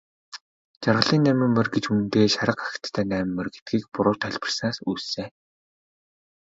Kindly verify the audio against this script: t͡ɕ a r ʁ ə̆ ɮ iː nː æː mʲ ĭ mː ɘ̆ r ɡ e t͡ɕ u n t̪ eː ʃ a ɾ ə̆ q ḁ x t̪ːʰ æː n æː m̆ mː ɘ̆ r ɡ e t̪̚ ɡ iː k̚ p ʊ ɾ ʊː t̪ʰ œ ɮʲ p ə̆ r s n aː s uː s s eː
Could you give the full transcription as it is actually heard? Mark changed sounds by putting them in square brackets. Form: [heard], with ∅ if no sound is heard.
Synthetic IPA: t͡ɕ a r ʁ ə̆ ɮ iː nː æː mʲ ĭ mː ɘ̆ r ɡ e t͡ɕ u n t̪ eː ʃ a ɾ ə̆ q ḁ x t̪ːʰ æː n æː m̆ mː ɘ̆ r ɡ e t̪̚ ɡ iː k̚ p ʊ ɾ ʊː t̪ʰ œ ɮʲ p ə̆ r s n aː s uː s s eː